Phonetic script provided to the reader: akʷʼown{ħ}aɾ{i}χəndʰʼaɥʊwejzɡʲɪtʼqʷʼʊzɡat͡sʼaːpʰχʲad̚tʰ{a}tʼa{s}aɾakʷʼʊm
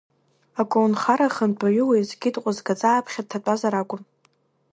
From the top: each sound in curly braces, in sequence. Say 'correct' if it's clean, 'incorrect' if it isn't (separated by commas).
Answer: incorrect, incorrect, correct, incorrect